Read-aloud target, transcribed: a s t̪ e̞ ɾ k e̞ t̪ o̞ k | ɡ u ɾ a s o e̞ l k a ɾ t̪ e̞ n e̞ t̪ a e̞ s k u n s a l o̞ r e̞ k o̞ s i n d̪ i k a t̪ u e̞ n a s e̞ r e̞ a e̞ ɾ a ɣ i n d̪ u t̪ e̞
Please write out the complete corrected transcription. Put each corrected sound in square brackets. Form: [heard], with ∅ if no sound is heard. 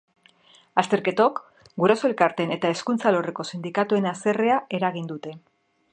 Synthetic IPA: a s t̪ e̞ ɾ k e̞ t̪ o̞ k | ɡ u ɾ a s o e̞ l k a ɾ t̪ e̞ n e̞ t̪ a e̞ s k u n [t͡s] a l o̞ r e̞ k o̞ s i n d̪ i k a t̪ u e̞ n a s e̞ r e̞ a e̞ ɾ a ɣ i n d̪ u t̪ e̞